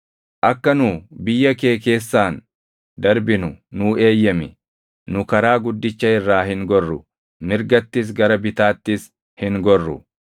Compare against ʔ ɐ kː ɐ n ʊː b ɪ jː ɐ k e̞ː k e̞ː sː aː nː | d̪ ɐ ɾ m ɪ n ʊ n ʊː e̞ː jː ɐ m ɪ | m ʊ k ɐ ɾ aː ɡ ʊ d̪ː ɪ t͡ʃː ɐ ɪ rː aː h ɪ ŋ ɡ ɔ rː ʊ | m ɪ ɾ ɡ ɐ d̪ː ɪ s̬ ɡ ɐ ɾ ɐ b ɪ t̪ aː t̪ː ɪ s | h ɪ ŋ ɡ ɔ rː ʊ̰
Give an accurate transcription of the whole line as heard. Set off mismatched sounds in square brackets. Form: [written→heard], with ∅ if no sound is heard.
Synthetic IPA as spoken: ʔ ɐ kː ɐ n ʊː b ɪ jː ɐ k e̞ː k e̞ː sː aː [nː→n] | d̪ ɐ ɾ [m→b] ɪ n ʊ n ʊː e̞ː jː ɐ m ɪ | [m→n] ʊ k ɐ ɾ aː ɡ ʊ d̪ː ɪ t͡ʃː ɐ ɪ rː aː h ɪ ŋ ɡ ɔ rː ʊ | m ɪ ɾ ɡ ɐ [d̪ː→t̪ː] ɪ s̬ ɡ ɐ ɾ ɐ b ɪ t̪ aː t̪ː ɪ s | h ɪ ŋ ɡ ɔ rː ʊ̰

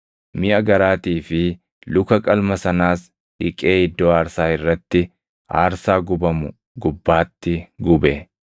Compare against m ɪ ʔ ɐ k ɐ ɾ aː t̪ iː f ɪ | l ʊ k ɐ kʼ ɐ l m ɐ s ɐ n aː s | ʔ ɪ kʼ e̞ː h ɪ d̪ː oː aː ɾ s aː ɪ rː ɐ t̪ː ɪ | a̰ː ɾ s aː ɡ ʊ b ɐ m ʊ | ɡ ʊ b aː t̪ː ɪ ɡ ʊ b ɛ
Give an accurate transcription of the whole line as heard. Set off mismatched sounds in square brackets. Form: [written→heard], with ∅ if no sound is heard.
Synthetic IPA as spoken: m ɪ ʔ ɐ [k→ɡ] ɐ ɾ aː t̪ iː f ɪ | l ʊ k ɐ kʼ ɐ l m ɐ s ɐ n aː s | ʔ ɪ kʼ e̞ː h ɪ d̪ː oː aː ɾ s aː ɪ rː ɐ t̪ː ɪ | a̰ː ɾ s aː ɡ ʊ b ɐ m ʊ | ɡ ʊ [b→bː] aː t̪ː ɪ ɡ ʊ b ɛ

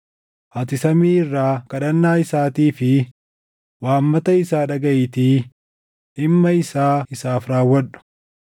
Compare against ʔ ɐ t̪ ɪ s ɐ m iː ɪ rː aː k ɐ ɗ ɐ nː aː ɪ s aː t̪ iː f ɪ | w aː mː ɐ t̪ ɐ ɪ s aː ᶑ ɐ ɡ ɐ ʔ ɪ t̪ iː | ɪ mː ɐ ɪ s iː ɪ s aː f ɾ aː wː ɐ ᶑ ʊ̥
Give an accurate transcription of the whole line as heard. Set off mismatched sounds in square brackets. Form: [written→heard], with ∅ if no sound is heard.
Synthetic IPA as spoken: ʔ ɐ t̪ ɪ s ɐ m iː ɪ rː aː k ɐ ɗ ɐ nː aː ɪ s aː t̪ iː f ɪ | w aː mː ɐ t̪ ɐ ɪ s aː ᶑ ɐ ɡ ɐ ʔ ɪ t̪ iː | ɪ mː ɐ ɪ s [iː→aː] ɪ s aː f ɾ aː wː ɐ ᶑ ʊ̥

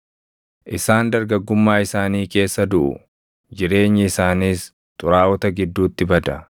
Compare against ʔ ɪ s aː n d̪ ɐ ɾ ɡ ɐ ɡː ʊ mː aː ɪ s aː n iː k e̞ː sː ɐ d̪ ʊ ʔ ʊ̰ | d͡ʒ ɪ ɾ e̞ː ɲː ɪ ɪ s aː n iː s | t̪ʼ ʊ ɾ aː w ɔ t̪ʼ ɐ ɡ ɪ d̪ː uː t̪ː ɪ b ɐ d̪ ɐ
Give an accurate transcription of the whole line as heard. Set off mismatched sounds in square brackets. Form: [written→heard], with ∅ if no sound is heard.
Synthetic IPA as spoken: ʔ ɪ s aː n d̪ ɐ ɾ ɡ ɐ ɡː ʊ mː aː ɪ s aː n iː k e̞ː sː ɐ d̪ ʊ ʔ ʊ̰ | d͡ʒ ɪ ɾ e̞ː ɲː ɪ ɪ s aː n iː s | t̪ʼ ʊ ɾ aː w ɔ [t̪ʼ→t̪] ɐ ɡ ɪ d̪ː uː t̪ː ɪ b ɐ d̪ ɐ

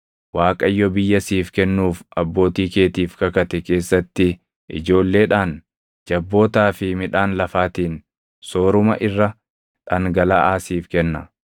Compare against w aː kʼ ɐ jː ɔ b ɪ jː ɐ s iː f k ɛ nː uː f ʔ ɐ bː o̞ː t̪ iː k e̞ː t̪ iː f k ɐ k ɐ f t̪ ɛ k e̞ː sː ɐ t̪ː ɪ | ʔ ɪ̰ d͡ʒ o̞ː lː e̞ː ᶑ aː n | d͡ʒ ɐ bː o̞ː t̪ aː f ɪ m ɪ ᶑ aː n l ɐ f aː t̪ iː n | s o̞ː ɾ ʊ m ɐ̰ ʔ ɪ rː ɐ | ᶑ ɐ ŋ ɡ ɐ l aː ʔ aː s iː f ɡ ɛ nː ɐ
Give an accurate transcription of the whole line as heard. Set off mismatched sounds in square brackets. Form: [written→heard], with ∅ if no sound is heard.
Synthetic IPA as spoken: w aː kʼ ɐ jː ɔ b ɪ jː ɐ s iː f k ɛ nː uː f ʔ ɐ bː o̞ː t̪ iː k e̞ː t̪ iː f k ɐ k ɐ [f→∅] t̪ ɛ k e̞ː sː ɐ t̪ː ɪ | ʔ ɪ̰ d͡ʒ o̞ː lː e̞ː ᶑ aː n | d͡ʒ ɐ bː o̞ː t̪ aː f ɪ m ɪ ᶑ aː n l ɐ f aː t̪ iː n | s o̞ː ɾ ʊ m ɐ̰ ʔ ɪ rː ɐ | ᶑ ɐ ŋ ɡ ɐ l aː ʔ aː s iː f [ɡ→k] ɛ nː ɐ

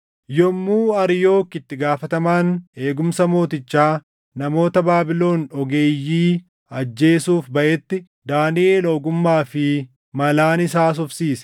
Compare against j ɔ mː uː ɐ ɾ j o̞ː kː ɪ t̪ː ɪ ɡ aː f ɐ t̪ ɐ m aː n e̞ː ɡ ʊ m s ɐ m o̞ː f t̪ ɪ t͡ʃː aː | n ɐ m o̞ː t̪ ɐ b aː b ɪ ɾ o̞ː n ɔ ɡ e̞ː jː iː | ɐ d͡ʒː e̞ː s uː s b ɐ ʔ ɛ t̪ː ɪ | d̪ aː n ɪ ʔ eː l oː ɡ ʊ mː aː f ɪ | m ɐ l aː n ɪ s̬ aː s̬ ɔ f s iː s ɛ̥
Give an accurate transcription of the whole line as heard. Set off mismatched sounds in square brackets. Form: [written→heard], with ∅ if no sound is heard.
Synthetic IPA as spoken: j ɔ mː uː ɐ ɾ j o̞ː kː ɪ t̪ː ɪ ɡ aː f ɐ t̪ ɐ m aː n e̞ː ɡ ʊ m s ɐ m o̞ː [f→∅] t̪ ɪ t͡ʃː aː | n ɐ m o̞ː t̪ ɐ b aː b ɪ [ɾ→l] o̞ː n ɔ ɡ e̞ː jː iː | ɐ d͡ʒː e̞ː s uː [s→f] b ɐ ʔ ɛ t̪ː ɪ | d̪ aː n ɪ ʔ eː l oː ɡ ʊ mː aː f ɪ | m ɐ l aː n ɪ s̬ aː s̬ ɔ f s iː s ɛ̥

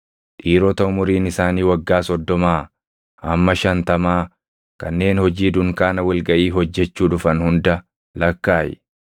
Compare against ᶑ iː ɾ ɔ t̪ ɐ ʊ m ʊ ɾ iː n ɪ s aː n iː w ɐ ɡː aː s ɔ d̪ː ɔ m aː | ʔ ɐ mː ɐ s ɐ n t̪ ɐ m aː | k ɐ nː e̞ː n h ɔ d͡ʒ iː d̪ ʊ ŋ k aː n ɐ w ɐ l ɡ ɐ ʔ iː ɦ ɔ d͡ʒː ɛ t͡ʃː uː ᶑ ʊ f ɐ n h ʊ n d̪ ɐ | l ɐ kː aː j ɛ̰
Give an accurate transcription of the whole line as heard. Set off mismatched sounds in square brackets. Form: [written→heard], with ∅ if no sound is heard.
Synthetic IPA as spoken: ᶑ iː ɾ ɔ t̪ ɐ ʊ m ʊ ɾ iː n ɪ s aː n iː w ɐ ɡː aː s ɔ d̪ː ɔ m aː | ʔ ɐ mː ɐ [s→ʃ] ɐ n t̪ ɐ m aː | k ɐ nː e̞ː n h ɔ d͡ʒ iː d̪ ʊ ŋ k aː n ɐ w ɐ l ɡ ɐ ʔ iː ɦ ɔ d͡ʒː ɛ t͡ʃː uː ᶑ ʊ f ɐ n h ʊ n d̪ ɐ | l ɐ kː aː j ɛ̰

